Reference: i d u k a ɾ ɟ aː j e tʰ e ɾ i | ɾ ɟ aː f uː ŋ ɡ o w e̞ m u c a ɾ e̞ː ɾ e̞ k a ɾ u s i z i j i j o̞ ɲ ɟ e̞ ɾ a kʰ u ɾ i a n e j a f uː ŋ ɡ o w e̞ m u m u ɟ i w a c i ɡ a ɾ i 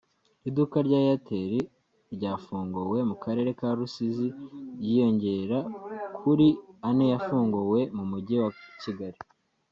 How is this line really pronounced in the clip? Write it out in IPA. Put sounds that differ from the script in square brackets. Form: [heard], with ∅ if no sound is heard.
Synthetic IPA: i d u k a ɾ ɟ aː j [a] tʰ e ɾ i | ɾ ɟ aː f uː ŋ ɡ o w e̞ m u [k] a ɾ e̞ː ɾ e̞ k a ɾ u s i z i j i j o̞ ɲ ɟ e̞ ɾ a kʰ u ɾ i a n e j a f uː ŋ ɡ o w e̞ m u m u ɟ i w a c i ɡ a ɾ i